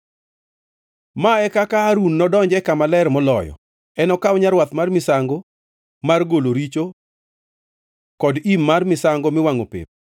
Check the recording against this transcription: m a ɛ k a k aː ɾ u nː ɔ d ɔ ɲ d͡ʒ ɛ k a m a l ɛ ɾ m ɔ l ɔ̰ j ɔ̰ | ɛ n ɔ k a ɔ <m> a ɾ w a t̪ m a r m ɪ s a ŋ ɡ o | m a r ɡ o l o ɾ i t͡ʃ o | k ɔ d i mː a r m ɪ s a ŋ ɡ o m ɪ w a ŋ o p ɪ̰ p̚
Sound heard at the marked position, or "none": ɲ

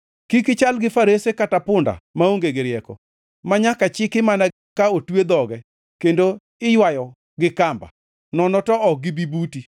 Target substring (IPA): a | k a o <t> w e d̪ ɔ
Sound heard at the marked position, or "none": t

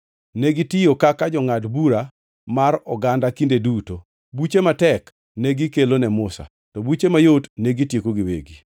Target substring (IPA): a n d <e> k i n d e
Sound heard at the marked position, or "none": a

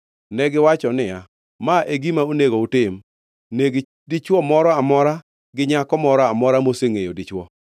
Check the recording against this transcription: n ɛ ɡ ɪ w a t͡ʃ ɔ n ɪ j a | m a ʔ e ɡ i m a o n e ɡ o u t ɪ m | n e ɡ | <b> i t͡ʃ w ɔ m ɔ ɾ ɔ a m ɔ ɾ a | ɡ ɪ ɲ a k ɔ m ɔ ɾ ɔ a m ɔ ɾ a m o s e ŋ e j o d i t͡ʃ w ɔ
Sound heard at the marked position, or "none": d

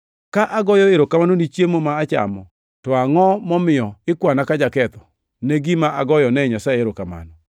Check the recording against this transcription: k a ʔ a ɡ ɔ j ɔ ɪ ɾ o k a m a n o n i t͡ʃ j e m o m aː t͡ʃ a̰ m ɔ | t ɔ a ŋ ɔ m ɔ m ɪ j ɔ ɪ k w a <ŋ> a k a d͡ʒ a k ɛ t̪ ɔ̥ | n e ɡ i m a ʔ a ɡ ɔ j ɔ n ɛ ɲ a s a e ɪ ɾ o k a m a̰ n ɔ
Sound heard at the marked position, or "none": n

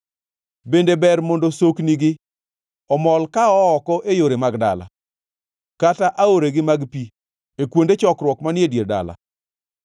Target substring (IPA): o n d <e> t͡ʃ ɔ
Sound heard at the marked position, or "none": e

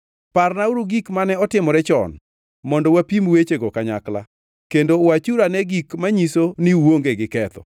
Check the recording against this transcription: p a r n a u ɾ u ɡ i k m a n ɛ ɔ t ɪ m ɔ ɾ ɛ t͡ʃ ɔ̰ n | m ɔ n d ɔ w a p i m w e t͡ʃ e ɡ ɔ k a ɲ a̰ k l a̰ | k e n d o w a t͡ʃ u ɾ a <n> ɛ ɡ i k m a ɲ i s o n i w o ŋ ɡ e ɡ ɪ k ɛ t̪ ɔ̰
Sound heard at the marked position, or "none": n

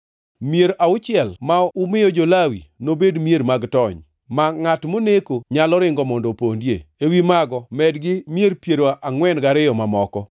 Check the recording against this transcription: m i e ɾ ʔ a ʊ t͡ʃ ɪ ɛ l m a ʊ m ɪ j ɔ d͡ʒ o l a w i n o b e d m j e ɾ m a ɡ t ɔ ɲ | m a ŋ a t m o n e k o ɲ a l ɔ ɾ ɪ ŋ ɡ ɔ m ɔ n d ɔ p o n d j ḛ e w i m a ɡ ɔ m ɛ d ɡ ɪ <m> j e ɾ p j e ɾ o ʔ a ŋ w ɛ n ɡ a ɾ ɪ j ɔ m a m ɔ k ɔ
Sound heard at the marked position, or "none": m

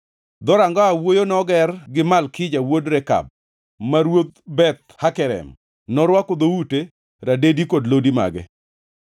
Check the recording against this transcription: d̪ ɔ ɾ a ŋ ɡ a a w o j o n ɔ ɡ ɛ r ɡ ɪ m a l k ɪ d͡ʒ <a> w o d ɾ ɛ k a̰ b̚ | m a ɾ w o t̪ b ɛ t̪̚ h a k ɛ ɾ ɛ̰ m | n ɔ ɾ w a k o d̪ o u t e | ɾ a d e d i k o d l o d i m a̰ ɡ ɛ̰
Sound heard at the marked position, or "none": a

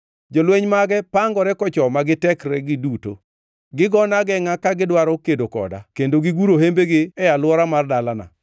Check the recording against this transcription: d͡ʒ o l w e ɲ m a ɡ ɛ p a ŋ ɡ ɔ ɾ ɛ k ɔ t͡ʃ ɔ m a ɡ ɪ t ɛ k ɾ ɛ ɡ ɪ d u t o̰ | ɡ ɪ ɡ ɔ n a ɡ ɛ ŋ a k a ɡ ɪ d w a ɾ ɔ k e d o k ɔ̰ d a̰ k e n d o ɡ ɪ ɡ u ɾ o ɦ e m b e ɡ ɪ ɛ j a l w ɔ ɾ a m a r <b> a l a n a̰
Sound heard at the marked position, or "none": d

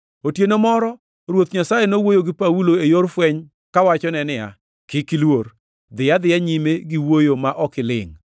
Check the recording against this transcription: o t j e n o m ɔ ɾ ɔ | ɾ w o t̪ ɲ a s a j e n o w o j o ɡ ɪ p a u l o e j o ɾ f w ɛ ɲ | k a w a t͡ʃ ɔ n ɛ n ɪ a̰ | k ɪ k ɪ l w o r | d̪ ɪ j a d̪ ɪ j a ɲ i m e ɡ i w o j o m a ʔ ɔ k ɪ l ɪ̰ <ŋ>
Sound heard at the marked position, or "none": ŋ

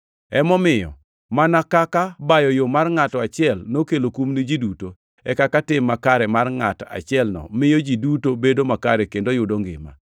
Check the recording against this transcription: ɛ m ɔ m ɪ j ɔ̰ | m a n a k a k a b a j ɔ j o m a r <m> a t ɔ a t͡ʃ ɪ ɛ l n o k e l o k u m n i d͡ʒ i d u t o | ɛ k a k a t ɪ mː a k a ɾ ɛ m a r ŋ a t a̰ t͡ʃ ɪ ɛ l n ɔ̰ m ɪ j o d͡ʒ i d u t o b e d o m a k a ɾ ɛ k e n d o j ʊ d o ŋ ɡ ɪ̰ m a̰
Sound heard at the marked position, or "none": ŋ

